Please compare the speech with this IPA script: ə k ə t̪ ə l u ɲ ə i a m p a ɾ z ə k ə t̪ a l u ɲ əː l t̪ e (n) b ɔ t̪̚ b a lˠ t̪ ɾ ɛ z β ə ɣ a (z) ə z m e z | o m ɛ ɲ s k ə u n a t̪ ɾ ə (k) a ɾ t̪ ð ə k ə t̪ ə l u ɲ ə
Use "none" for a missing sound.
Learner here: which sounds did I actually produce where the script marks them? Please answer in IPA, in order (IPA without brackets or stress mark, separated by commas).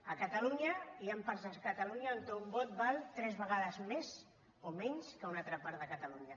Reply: m, ð, p